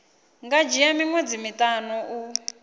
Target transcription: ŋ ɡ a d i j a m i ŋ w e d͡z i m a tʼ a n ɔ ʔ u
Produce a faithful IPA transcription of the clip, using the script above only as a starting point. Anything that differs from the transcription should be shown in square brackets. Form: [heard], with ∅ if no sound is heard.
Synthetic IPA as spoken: ŋ ɡ a [d͡ʒ] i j a m i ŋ w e d͡z i m [i] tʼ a n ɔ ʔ u